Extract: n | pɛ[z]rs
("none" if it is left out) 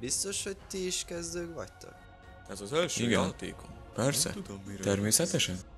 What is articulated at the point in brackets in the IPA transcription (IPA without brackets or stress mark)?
none